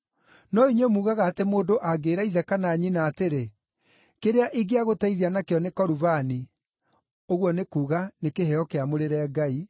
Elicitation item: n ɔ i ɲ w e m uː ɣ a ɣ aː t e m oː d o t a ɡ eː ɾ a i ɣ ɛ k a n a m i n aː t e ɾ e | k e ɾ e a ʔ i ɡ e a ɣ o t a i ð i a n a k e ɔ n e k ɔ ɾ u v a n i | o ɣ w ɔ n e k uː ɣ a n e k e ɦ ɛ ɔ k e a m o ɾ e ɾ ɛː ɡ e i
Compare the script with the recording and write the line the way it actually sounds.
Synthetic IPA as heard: n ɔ i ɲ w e m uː ɣ a ɣ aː t e m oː d o ʔ a ɡ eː ɾ a i ð ɛ k a n a ɲ i n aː t e ɾ e | k e ɾ e a ʔ i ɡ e a ɣ o t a i ð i a n a k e ɔ n e k ɔ ɾ u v a n i | o ɣ w ɔ n e k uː ɣ a n e k e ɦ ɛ ɔ k e a m o ɾ e ɾ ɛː ɡ a i